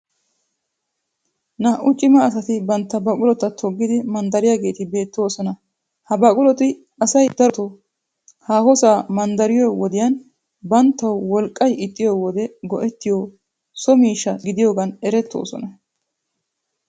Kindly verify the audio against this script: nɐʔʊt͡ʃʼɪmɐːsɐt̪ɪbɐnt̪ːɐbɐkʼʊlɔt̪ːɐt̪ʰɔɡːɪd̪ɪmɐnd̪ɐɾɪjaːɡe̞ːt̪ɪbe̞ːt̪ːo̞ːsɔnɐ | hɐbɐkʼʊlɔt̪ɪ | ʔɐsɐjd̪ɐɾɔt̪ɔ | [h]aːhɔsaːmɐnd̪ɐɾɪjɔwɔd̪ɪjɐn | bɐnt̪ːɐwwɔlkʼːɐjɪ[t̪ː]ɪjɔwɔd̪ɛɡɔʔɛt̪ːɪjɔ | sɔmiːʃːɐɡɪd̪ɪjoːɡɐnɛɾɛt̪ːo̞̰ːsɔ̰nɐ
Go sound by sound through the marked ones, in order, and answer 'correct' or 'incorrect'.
correct, incorrect: t̪ʼː

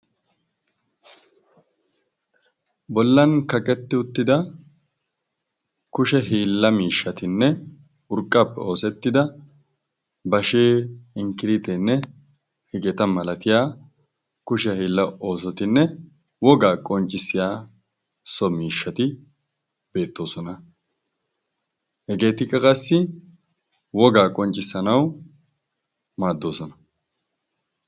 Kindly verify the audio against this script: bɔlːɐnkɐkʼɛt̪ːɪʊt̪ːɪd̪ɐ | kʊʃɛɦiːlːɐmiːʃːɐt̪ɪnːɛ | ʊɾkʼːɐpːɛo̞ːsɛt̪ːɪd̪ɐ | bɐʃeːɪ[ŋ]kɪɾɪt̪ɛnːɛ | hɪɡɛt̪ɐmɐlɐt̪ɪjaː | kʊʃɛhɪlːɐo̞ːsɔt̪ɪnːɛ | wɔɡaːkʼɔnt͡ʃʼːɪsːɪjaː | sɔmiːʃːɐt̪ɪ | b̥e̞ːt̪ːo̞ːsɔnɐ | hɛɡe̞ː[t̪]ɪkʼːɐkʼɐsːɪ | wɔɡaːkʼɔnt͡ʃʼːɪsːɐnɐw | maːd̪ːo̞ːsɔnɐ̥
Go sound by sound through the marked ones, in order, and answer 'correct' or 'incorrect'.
correct, correct

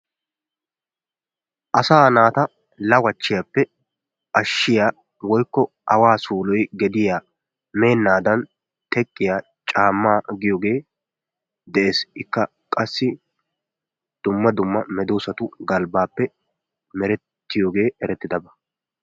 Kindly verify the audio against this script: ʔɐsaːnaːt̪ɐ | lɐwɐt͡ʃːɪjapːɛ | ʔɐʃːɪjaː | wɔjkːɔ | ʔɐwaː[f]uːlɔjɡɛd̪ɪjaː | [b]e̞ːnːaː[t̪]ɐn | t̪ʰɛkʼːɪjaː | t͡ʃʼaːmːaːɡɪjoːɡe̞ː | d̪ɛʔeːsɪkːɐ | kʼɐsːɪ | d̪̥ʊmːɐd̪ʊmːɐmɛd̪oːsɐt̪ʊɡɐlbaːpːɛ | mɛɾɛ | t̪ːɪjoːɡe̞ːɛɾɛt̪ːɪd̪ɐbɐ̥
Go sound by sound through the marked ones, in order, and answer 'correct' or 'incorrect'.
incorrect: s, incorrect: m, incorrect: d̪

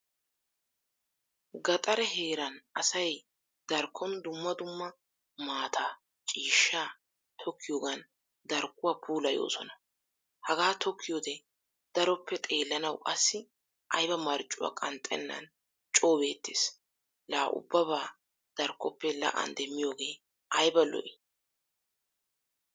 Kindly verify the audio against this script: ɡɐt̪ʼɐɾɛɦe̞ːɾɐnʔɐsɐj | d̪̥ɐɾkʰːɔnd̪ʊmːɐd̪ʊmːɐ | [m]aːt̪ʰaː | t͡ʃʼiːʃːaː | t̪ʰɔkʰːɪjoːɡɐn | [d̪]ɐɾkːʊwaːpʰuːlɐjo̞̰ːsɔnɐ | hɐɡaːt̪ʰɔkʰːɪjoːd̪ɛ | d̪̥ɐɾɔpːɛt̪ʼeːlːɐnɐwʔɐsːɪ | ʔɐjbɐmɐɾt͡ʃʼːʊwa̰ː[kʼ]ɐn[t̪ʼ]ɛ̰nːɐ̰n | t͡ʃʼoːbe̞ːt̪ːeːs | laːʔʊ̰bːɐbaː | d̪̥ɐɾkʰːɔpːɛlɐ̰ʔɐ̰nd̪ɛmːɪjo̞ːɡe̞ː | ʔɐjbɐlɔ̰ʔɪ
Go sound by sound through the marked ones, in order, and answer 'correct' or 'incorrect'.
correct, correct, correct, correct

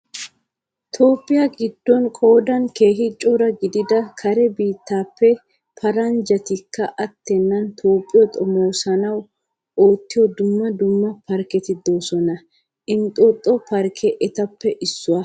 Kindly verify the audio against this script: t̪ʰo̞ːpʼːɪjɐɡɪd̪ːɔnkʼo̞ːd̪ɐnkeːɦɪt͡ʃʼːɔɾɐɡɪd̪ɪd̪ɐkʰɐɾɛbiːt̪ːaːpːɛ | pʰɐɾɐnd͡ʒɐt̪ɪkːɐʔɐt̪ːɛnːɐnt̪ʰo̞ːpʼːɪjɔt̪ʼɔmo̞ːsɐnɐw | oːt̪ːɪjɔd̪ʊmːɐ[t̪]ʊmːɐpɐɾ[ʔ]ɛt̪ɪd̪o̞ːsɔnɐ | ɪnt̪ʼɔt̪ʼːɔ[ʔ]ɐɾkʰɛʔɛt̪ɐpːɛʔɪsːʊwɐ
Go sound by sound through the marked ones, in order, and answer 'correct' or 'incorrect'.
incorrect: d̪, incorrect: k, incorrect: p

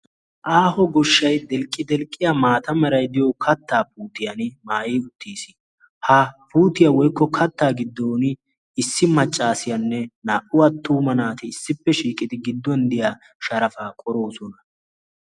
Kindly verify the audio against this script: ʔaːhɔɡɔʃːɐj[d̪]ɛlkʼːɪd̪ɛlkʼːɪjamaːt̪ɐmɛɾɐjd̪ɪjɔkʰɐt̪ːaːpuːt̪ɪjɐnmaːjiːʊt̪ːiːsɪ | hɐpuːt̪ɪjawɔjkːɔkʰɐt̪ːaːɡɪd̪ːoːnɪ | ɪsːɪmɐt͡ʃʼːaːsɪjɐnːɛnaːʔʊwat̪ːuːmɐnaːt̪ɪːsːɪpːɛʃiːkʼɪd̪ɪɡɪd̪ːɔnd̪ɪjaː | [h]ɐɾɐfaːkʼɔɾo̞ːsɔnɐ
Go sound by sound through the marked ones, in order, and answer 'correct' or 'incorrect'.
correct, incorrect: ʃ

